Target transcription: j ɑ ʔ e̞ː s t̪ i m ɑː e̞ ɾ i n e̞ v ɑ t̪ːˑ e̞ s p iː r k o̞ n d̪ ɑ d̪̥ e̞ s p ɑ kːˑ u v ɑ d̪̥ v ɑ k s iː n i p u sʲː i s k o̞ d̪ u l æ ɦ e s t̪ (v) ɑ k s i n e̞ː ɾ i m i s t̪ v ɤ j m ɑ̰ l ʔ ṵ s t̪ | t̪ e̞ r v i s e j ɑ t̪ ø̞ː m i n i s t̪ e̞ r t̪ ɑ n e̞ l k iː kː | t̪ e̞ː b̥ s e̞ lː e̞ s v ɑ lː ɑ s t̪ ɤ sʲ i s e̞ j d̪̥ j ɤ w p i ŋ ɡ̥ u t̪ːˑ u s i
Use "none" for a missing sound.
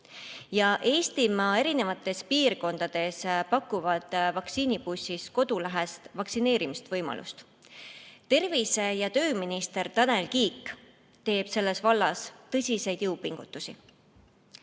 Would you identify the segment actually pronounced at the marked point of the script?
v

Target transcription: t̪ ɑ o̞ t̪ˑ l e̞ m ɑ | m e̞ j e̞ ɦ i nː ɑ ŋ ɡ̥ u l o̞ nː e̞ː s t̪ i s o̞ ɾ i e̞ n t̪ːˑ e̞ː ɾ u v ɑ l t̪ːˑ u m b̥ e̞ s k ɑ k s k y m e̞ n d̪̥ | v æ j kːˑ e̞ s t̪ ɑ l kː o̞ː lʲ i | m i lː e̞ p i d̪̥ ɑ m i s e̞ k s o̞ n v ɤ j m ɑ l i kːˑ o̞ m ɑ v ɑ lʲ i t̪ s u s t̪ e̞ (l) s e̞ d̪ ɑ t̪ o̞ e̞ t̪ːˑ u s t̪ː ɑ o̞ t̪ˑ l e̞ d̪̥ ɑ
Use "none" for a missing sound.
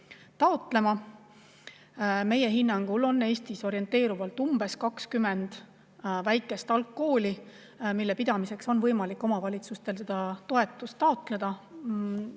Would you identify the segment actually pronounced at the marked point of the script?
l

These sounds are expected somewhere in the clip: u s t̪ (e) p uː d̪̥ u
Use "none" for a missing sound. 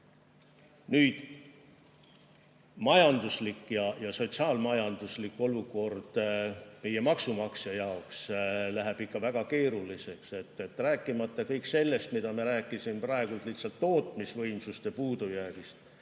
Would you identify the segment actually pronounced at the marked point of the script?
e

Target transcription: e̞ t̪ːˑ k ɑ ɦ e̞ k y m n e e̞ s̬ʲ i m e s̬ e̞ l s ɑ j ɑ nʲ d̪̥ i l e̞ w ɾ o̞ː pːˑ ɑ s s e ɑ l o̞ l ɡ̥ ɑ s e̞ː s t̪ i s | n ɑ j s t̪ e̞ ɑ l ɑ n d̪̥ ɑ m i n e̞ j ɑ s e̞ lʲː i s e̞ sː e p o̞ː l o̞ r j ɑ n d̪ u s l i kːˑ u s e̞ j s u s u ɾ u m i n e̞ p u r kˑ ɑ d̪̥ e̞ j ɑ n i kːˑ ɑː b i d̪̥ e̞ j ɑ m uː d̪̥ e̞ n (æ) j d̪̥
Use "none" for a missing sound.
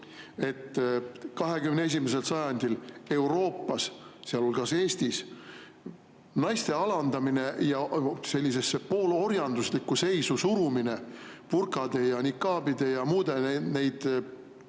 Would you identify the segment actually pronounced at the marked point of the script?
e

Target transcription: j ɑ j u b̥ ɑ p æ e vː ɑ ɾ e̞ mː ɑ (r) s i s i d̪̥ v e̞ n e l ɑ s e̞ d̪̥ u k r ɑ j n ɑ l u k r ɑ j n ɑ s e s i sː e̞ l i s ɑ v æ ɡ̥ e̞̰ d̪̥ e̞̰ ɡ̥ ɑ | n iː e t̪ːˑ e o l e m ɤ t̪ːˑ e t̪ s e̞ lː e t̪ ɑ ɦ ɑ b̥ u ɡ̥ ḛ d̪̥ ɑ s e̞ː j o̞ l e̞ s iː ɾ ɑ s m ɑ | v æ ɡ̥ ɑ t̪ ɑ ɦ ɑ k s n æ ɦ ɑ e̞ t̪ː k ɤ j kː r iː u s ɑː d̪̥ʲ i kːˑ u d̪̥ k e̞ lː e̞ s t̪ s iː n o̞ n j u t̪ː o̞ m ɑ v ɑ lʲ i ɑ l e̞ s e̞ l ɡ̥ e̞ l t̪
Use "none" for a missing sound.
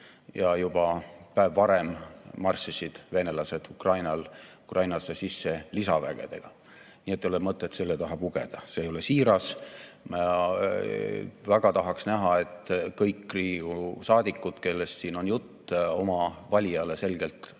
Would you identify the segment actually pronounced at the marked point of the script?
r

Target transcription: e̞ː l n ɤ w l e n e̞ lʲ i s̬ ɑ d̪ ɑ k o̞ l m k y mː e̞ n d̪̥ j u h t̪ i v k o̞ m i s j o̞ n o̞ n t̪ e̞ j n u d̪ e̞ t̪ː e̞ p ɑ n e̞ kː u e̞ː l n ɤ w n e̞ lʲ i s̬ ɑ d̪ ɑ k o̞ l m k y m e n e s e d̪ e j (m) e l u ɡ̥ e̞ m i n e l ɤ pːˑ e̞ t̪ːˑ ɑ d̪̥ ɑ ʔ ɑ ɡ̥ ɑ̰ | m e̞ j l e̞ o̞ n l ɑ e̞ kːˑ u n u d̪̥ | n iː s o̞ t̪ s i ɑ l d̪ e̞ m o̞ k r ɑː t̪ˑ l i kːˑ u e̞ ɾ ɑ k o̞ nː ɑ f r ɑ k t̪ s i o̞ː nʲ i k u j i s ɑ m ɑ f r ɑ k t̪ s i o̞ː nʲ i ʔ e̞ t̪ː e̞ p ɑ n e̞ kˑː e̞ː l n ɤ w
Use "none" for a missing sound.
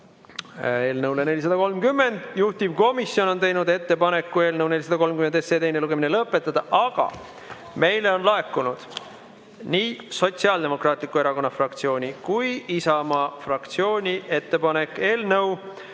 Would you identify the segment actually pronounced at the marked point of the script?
n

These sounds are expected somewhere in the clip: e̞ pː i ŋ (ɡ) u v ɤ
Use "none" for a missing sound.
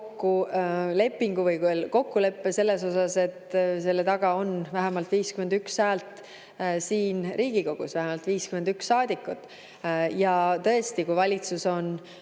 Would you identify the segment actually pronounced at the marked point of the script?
ɡ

